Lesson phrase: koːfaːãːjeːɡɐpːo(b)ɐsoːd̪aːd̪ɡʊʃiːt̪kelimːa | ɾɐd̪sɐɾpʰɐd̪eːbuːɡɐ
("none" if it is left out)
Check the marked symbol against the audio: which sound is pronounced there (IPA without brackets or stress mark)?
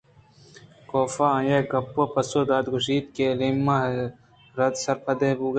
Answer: p